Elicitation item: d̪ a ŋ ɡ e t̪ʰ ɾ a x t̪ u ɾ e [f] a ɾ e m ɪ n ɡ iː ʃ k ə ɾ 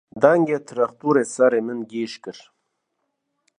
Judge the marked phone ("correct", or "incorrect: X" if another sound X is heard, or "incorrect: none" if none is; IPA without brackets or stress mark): incorrect: s